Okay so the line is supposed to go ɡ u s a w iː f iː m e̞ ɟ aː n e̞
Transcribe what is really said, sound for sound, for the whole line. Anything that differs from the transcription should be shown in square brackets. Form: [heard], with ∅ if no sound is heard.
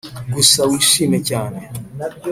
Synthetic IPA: ɡ u s a w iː [ʃ] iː m e̞ [c] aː n e̞